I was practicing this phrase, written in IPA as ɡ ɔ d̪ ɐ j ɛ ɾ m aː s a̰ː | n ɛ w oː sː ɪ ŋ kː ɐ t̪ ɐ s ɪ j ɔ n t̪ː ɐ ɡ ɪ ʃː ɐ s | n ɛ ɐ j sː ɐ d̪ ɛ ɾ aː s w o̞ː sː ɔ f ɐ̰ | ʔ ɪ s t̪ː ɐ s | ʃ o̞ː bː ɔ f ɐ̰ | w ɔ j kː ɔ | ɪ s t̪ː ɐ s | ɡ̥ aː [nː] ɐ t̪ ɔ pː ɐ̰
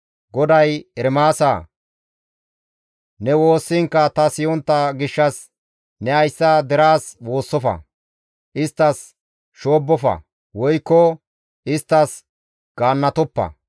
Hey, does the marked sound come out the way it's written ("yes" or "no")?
yes